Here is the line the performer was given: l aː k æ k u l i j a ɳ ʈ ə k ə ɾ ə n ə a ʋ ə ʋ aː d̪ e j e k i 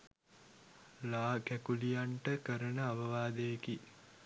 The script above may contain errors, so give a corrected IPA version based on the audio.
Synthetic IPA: l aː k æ k u l i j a ɳ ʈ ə k ə ɾ ə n ə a ʋ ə ʋ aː d̪ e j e k i